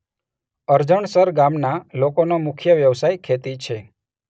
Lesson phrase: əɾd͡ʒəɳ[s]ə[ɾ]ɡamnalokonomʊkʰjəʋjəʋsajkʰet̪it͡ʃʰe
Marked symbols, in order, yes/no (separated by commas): yes, yes